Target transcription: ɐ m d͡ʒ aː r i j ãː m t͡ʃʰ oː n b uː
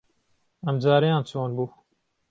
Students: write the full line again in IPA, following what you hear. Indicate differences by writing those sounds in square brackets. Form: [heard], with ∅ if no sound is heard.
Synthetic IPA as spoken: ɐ m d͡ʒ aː [ɾ] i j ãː [n] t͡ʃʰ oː n b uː